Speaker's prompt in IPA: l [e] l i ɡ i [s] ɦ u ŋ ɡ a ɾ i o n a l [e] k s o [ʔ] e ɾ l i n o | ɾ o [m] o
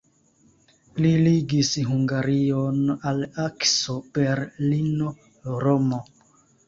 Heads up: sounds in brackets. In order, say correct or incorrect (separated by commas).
incorrect, correct, incorrect, incorrect, correct